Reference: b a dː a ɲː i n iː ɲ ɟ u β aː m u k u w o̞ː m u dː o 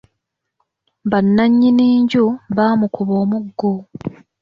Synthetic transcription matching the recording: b a nː a ɲː i n iː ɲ ɟ u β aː m u k u β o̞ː m u ɡː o

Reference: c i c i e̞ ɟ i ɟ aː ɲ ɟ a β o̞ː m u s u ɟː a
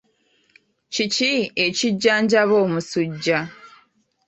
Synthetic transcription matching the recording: c i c i e̞ c i ɟː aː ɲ ɟ a β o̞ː m u s u ɟː a

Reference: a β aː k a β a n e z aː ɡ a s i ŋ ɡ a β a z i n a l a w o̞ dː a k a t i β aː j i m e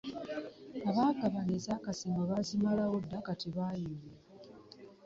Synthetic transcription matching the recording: a β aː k a β a n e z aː k a s i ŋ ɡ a β a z i m a l a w o̞ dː a k a t i β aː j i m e

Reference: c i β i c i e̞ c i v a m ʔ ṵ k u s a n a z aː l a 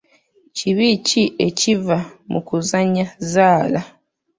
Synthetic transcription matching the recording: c i β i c i e̞ c i v a m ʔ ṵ k u z a ɲ a z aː l a

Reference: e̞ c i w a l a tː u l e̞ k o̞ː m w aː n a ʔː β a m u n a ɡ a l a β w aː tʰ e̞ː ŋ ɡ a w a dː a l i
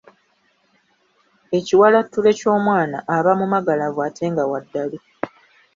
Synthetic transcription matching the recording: e̞ c i w a l a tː u l e̞ c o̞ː m w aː n a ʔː β a m u m a ɡ a l a v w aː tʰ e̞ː ŋ ɡ a w a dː a l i

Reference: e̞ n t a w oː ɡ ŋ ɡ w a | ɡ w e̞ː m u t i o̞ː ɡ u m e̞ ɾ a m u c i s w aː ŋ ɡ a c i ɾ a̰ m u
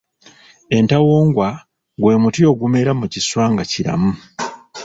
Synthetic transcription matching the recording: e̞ n t a w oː ŋ ɡ w a | ɡ w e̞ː m u t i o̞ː ɡ u m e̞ ɾ a m u c i s w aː ŋ ɡ a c i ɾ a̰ m u

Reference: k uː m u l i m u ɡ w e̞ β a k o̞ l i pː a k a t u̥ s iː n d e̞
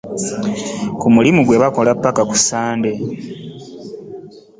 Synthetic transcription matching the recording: k u m u l i m u ɡ w e̞ β a k o̞ l a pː a k a k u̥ s aː n d e̞

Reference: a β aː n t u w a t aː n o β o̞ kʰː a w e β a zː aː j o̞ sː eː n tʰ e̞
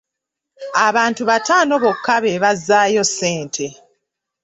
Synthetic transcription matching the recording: a β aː n t u β a t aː n o β o̞ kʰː a β e β a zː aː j o̞ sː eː n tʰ e̞

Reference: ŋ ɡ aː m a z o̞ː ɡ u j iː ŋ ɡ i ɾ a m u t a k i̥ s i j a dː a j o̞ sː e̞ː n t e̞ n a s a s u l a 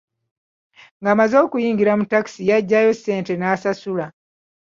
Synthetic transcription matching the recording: ŋ ɡ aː m a z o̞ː k u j iː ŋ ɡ i ɾ a m u t a k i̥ s i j a ɟː a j o̞ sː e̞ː n t e̞ n a s a s u l a

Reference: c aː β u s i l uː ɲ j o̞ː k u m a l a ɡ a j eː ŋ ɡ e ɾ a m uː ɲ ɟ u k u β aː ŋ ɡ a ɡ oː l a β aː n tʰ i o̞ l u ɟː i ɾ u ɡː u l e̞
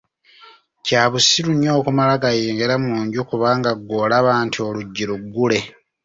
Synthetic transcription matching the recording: c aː β u s i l u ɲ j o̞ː k u m a l a ɡ a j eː ŋ ɡ e ɾ a m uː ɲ ɟ u k u β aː ŋ ɡ a ɡ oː l a β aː n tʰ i o̞ l u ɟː i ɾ u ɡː u l e̞

